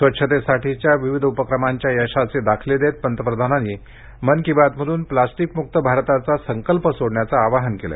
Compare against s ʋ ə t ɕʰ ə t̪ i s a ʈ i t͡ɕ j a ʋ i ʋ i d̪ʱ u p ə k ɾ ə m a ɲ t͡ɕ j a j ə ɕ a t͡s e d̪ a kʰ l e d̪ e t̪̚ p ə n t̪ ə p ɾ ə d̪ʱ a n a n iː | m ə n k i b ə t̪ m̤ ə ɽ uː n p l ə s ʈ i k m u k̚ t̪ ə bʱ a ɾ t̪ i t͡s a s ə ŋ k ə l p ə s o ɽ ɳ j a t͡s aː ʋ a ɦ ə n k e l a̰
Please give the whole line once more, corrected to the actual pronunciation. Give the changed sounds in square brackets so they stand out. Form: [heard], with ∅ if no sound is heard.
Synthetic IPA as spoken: s ʋ ə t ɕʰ ə t̪ [e] s a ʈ i t͡ɕ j a ʋ i ʋ i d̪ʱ u p ə k ɾ ə m a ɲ t͡ɕ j a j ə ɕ a t͡s e d̪ a kʰ l e d̪ e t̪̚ p ə n t̪ ə p ɾ ə d̪ʱ a n a n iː | m ə n k i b [a] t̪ m̤ ə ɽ uː n p l [a] s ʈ i k m u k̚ t̪ ə bʱ a ɾ t̪ [a] t͡s a s ə ŋ k ə l p ə s o ɽ ɳ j a t͡s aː ʋ a ɦ ə n k e l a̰